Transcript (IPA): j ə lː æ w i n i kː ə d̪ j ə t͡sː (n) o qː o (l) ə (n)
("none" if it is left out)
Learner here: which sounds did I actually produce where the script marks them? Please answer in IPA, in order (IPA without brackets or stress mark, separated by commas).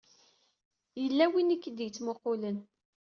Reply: m, l, n